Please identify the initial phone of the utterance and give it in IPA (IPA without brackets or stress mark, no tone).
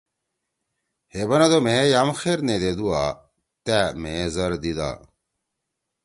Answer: h